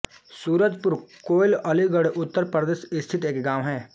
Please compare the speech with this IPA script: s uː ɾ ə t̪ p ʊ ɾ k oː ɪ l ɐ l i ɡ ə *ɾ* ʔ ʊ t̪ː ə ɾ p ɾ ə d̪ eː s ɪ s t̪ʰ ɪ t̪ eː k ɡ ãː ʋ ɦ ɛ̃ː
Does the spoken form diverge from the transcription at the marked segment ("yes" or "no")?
yes